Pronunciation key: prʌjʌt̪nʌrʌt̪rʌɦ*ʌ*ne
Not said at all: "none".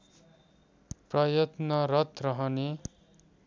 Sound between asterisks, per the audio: ʌ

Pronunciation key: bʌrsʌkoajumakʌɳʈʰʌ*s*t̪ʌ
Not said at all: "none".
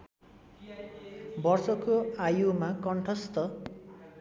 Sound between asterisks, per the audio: s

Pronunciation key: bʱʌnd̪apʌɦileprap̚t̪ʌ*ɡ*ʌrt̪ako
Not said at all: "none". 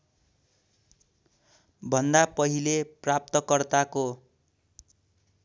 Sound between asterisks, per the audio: k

